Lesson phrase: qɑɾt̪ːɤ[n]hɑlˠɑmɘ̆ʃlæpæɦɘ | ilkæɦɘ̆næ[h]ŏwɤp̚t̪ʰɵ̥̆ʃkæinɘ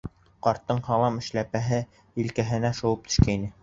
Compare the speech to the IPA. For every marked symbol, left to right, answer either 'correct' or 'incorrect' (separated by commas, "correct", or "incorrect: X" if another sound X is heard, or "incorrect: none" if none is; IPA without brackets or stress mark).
incorrect: ɴ, incorrect: ʃ